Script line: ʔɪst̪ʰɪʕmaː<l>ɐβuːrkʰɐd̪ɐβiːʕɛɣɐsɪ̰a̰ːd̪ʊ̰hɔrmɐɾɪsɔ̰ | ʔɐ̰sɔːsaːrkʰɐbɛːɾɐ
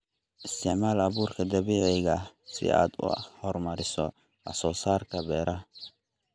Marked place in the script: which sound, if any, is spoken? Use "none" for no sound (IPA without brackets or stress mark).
l